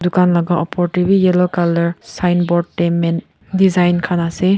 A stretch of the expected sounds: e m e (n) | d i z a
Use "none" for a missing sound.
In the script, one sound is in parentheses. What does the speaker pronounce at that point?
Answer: n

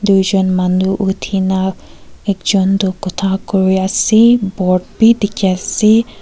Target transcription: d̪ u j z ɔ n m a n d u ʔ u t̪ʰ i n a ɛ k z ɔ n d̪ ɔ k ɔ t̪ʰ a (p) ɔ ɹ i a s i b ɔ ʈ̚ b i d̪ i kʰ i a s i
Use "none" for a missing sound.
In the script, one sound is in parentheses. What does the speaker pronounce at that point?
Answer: k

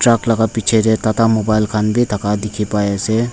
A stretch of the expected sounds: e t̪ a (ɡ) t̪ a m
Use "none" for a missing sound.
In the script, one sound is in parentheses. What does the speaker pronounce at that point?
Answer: none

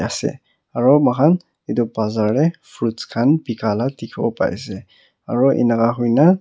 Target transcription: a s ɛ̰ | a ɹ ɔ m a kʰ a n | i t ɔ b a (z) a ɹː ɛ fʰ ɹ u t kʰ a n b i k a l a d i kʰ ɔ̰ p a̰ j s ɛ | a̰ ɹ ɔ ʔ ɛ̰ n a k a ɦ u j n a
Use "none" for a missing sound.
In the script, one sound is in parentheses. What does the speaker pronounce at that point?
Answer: z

